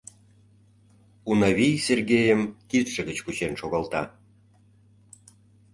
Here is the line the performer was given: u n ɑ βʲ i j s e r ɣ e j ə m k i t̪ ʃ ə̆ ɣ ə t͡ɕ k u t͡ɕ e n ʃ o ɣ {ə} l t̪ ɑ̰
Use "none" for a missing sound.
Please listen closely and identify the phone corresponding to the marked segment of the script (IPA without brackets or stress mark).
ɑ